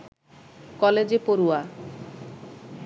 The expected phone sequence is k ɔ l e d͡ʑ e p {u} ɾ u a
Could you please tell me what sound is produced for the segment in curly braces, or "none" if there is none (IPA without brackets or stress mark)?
o